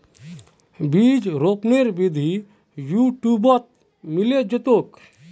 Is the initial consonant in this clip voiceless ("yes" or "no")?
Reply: no